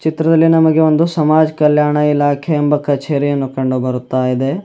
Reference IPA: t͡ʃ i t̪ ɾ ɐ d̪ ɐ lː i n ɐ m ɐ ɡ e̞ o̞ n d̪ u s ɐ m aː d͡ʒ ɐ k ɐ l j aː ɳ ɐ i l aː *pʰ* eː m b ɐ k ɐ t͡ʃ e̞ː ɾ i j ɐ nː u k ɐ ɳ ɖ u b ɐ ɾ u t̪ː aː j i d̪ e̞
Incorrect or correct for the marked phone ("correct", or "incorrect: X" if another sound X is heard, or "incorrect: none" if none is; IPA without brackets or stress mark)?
incorrect: kʰ